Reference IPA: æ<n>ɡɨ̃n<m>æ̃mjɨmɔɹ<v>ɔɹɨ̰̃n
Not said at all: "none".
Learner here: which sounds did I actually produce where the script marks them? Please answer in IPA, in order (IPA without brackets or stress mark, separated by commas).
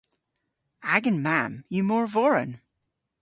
none, m, v